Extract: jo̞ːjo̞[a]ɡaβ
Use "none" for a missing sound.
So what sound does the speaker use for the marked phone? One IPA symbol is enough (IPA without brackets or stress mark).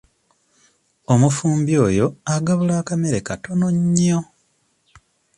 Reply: a